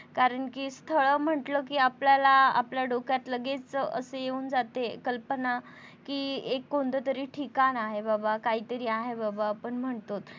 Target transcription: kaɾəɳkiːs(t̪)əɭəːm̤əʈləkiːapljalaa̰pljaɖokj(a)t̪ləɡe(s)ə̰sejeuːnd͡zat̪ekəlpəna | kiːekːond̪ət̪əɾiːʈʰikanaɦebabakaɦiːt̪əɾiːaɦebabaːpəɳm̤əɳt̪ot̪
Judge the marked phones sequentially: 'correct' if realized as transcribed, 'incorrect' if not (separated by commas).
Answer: incorrect, correct, incorrect